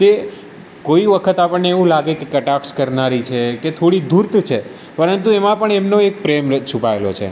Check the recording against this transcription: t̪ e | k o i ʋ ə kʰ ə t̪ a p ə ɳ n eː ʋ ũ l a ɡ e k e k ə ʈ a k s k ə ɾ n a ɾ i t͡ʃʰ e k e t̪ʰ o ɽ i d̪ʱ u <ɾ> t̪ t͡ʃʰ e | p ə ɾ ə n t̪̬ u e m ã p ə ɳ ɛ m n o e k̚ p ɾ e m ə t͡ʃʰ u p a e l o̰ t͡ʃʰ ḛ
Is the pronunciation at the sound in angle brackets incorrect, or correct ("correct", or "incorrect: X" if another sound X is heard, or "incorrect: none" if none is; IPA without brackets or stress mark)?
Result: correct